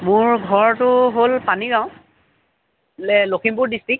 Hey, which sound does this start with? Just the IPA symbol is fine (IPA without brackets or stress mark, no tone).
m